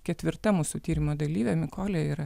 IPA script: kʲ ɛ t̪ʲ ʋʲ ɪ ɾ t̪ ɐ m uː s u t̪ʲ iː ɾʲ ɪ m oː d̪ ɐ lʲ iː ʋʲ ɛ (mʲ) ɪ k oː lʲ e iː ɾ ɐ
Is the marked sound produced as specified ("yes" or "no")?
yes